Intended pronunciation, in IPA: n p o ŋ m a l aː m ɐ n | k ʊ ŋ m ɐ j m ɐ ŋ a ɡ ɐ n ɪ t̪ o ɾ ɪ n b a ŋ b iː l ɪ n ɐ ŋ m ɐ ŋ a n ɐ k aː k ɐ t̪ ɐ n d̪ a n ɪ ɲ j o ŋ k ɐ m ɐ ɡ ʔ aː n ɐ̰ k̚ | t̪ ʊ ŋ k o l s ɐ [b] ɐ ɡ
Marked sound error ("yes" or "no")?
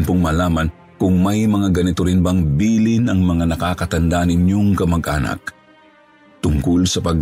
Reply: yes